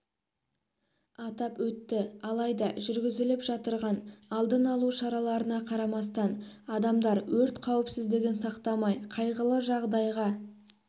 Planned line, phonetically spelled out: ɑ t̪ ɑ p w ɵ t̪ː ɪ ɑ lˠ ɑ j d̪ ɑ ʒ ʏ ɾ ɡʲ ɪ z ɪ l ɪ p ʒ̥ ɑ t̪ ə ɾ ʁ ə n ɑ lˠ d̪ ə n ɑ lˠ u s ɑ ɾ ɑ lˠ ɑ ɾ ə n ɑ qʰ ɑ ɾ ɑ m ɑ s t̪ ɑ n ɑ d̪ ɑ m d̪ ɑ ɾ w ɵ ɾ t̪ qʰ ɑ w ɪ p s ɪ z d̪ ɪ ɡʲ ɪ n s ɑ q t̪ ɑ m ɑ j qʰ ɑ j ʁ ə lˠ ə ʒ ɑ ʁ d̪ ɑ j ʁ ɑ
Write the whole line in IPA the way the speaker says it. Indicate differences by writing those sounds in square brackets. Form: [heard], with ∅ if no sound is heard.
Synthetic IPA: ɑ t̪ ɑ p w ɵ t̪ː ɪ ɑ lˠ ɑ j d̪ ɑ ʒ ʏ ɾ ɡʲ ɪ z ɪ l ɪ p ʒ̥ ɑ t̪ ə ɾ ʁ [ɑ] n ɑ lˠ d̪ ə n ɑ lˠ u [ʃ] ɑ ɾ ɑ lˠ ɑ ɾ ə n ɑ qʰ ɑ ɾ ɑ m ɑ s t̪ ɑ n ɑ d̪ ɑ m d̪ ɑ ɾ w ɵ ɾ t̪ qʰ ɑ w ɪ p s ɪ z d̪ ɪ ɡʲ ɪ n s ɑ q t̪ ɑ m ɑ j qʰ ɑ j ʁ ə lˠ ə ʒ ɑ ʁ d̪ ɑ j ʁ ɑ